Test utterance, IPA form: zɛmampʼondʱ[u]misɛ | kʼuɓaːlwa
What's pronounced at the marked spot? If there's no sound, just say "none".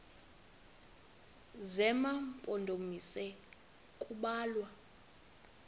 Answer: o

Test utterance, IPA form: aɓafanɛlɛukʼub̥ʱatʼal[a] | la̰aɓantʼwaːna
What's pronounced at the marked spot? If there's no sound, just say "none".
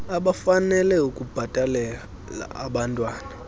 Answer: ɛ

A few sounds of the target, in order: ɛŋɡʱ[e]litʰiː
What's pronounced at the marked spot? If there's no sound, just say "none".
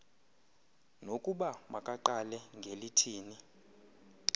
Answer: e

